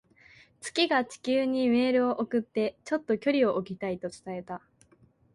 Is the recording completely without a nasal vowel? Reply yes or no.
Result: yes